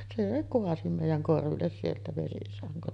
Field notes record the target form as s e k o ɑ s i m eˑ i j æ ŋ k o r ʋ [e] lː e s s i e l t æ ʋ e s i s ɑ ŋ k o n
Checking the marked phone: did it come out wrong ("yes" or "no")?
yes